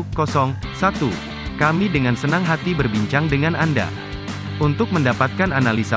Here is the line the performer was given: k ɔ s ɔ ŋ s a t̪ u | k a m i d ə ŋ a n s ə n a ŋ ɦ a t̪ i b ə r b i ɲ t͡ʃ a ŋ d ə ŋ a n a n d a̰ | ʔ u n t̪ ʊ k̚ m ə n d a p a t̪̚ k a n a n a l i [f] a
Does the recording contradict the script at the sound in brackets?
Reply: yes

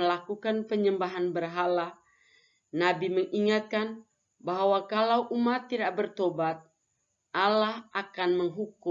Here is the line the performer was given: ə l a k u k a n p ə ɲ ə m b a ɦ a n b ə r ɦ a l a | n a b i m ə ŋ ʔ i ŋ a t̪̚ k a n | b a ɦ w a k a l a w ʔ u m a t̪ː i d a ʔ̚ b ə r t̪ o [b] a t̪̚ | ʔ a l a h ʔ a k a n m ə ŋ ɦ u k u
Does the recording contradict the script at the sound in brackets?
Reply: no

